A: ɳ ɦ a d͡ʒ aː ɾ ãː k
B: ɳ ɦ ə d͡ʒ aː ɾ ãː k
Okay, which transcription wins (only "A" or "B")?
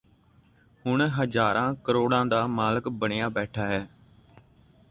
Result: B